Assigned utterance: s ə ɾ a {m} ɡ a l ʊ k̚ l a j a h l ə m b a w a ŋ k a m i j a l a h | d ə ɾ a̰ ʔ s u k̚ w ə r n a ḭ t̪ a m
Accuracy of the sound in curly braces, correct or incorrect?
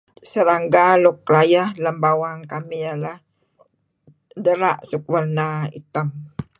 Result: incorrect